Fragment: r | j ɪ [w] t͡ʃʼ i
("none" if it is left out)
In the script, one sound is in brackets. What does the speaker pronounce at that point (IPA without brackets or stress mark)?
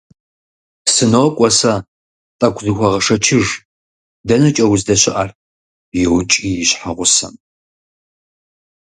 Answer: w